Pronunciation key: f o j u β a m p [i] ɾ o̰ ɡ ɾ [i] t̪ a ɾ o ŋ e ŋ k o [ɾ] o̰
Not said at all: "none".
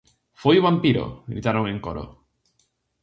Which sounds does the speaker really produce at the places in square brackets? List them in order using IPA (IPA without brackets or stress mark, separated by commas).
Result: i, i, ɾ